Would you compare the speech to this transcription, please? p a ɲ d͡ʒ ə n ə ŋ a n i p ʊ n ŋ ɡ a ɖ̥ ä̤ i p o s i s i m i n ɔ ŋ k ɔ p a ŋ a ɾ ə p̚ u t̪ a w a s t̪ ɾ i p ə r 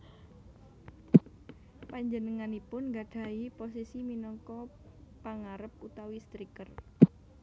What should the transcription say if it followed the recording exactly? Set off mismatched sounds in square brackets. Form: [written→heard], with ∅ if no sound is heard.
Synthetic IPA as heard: p a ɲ d͡ʒ ə n ə ŋ a n i p ʊ n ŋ ɡ a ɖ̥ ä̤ i p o s i s i m i n ɔ ŋ k ɔ p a ŋ a ɾ ə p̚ u t̪ a w [a→i] s t̪ ɾ i [p→k] ə r